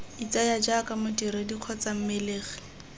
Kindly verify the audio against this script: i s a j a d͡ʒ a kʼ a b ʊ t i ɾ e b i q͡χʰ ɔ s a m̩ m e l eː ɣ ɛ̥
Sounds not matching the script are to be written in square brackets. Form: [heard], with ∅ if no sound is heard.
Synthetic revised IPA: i [t͡s] a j a d͡ʒ a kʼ a [m] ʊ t i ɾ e [d] i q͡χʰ ɔ [t͡s] a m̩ m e l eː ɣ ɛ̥